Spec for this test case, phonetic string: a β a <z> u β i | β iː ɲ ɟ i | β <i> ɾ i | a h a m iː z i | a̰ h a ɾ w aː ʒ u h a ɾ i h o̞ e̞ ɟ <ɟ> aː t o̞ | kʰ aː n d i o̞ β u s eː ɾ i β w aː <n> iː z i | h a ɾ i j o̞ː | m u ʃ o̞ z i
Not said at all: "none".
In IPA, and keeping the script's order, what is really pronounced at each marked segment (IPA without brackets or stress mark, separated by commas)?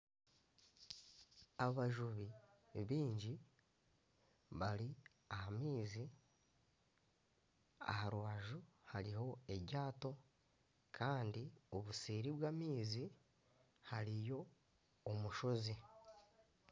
ʒ, a, ɟ, m